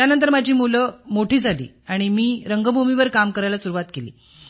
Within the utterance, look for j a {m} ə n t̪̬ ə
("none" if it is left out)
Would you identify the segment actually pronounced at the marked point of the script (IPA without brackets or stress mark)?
n